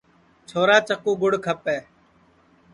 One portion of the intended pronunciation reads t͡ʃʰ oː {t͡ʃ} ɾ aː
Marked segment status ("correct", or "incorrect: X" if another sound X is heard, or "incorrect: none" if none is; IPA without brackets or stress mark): incorrect: none